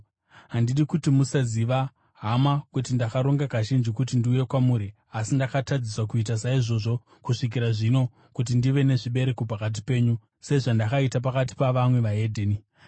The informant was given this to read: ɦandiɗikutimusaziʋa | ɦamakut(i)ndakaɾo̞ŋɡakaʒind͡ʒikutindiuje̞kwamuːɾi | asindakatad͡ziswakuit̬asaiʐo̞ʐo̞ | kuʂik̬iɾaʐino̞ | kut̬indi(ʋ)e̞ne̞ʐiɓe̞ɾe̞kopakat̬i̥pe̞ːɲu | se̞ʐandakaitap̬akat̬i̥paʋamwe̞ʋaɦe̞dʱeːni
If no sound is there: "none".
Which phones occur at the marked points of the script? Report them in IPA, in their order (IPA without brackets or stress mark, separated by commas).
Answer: i, ʋ